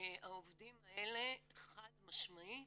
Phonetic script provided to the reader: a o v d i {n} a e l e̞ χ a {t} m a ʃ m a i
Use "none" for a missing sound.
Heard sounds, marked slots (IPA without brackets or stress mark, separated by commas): m, d